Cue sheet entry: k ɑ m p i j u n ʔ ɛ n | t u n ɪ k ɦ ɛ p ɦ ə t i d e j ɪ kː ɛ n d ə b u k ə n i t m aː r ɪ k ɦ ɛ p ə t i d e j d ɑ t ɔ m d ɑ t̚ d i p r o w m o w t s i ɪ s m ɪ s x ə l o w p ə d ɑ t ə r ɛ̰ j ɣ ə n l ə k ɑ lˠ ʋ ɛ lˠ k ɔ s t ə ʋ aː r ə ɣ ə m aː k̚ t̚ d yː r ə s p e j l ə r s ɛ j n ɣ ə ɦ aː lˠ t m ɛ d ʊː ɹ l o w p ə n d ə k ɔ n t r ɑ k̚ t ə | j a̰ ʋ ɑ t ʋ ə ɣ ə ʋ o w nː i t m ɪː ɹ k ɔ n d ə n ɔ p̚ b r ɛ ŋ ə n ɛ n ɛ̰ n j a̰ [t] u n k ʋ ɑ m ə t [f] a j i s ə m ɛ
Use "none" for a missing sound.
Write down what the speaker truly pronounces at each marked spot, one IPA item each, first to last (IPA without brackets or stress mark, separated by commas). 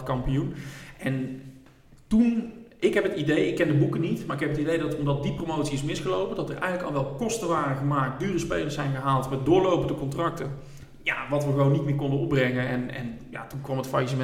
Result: t, f